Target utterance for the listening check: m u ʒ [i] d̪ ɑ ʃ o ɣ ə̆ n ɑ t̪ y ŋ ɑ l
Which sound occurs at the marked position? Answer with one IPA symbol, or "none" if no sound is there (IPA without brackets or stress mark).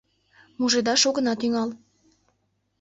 e